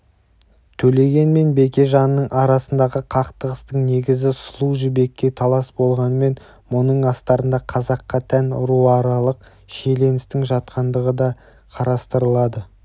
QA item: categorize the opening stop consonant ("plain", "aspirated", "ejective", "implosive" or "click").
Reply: aspirated